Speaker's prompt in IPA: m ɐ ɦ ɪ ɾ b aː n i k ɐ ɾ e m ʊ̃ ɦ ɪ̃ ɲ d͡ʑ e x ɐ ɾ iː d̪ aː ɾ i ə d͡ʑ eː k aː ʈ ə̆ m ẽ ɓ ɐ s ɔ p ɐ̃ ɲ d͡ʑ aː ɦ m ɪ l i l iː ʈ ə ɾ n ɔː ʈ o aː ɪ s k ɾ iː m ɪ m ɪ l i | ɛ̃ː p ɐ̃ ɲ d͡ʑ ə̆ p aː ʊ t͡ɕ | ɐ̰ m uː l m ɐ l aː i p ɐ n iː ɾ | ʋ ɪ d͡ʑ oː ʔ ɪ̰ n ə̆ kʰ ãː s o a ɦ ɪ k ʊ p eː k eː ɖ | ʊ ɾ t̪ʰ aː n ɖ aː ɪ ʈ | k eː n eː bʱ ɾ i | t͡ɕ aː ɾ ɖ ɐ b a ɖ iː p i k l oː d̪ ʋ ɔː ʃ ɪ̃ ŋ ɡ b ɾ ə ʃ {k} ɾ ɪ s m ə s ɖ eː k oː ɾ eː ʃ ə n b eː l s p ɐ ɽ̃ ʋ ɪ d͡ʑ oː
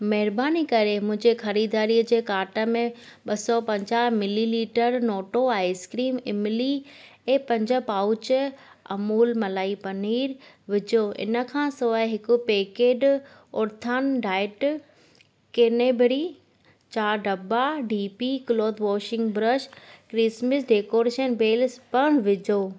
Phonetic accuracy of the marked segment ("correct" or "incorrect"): correct